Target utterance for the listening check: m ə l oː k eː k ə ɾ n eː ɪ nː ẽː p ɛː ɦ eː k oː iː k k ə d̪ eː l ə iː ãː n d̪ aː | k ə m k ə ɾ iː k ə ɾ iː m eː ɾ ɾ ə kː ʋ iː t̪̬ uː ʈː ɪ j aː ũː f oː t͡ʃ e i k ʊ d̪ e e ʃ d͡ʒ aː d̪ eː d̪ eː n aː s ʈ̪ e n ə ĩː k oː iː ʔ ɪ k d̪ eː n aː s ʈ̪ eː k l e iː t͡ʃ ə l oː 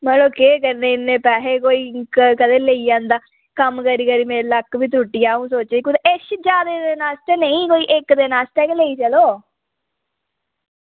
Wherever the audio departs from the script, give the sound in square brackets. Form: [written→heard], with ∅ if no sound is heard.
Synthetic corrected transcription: m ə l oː k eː k ə ɾ n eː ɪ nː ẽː p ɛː ɦ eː k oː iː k k ə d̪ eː l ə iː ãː n d̪ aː | k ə m k ə ɾ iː k ə ɾ iː m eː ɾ [ɾ→l] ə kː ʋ iː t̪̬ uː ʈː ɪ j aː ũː [f→s] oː t͡ʃ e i k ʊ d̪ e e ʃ d͡ʒ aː d̪ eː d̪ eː n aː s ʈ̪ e n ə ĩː k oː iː ʔ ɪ k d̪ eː n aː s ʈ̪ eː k l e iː t͡ʃ ə l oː